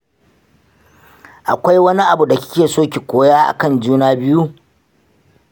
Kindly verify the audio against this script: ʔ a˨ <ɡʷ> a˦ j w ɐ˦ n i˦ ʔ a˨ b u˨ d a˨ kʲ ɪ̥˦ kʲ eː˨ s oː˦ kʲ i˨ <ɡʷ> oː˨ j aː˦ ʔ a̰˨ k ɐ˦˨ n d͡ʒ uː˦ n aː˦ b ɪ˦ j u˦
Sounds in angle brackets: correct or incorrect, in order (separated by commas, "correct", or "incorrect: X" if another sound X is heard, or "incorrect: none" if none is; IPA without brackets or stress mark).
incorrect: kʷ, incorrect: kʷ